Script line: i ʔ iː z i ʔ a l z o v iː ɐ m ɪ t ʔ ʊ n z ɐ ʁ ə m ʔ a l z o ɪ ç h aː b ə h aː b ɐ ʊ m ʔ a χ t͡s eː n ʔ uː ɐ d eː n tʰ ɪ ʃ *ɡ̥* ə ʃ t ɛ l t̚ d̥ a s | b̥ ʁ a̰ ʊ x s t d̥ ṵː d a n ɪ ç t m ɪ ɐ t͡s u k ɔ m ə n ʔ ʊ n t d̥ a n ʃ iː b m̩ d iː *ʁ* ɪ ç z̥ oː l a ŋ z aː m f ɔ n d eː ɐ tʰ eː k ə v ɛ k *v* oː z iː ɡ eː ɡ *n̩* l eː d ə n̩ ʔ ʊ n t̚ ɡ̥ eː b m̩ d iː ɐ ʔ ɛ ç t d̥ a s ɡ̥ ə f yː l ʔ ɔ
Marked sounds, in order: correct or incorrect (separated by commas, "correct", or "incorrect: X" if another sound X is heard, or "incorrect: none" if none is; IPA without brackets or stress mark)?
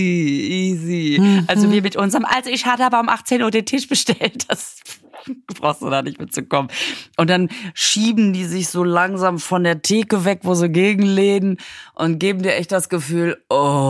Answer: incorrect: b̥, incorrect: z, correct, incorrect: ŋ̩